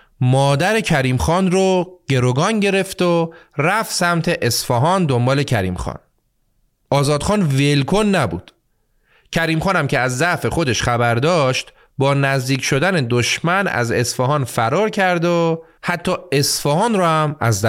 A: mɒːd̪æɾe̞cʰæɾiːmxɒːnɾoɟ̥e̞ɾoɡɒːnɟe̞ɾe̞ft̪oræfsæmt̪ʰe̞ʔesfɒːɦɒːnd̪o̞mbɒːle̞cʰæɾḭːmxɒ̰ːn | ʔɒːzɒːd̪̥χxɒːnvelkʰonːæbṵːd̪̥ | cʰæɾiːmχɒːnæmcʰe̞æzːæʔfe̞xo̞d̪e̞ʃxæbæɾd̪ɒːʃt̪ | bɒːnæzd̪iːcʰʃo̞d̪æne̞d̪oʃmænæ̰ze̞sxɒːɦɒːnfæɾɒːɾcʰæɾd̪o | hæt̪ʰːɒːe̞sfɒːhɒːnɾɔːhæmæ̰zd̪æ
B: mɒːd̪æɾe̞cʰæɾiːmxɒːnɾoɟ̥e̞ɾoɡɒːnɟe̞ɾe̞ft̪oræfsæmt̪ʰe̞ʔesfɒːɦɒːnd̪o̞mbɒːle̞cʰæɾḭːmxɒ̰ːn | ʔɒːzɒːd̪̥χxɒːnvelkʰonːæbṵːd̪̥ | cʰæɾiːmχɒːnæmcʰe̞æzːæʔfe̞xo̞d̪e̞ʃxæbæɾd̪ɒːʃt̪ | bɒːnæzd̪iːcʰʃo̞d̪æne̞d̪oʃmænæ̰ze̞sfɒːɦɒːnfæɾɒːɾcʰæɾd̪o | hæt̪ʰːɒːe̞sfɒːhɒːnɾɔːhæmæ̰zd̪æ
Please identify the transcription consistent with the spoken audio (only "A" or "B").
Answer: B